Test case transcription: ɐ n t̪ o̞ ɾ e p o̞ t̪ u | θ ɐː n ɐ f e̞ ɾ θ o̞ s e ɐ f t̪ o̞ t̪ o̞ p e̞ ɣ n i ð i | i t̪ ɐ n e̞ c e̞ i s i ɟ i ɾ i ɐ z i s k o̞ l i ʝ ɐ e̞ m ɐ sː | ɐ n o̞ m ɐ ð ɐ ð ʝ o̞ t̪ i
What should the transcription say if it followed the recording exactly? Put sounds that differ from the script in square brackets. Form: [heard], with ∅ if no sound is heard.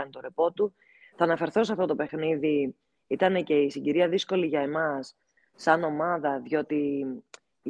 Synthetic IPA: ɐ n t̪ o̞ ɾ e p o̞ t̪ u | θ ɐː n ɐ f e̞ ɾ θ o̞ s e ɐ f t̪ o̞ t̪ o̞ p e̞ [x] n i ð i | i t̪ ɐ n e̞ c e̞ i s i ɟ i ɾ i ɐ [ð] i s k o̞ l i ʝ ɐ e̞ m ɐ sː | ɐ n o̞ m ɐ ð ɐ ð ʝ o̞ t̪ i